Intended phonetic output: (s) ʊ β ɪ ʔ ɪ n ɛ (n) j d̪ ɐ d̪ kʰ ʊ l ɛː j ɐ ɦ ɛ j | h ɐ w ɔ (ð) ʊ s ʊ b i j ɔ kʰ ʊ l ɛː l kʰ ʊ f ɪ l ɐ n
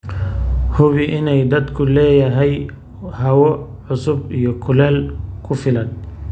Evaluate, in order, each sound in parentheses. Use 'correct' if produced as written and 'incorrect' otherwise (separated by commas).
incorrect, incorrect, incorrect